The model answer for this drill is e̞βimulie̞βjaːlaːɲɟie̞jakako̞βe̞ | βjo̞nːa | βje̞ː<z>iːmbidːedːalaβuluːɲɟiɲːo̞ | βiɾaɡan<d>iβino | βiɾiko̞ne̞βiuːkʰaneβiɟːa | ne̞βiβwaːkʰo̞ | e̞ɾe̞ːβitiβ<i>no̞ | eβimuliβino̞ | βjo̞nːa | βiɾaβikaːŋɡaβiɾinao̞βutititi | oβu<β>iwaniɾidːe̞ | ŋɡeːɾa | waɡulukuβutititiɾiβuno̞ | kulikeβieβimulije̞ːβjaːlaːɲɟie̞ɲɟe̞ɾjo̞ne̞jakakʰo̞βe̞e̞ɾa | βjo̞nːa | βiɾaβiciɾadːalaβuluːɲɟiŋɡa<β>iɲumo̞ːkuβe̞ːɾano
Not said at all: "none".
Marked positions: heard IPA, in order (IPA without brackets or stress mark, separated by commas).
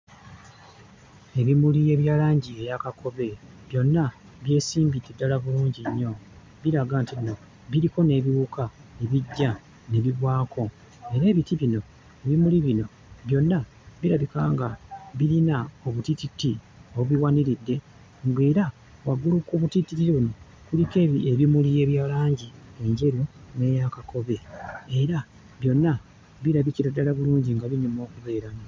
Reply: s, t, i, β, β